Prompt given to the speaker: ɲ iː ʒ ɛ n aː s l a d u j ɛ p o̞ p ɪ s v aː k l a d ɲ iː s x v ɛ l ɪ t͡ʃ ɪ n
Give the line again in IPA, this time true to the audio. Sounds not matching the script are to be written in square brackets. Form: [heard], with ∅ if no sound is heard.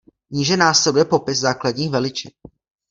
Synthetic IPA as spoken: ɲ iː ʒ ɛ n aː s l [ɛ] d u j ɛ p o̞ p ɪ s [z] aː k l a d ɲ iː [∅] x v ɛ l ɪ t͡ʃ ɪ n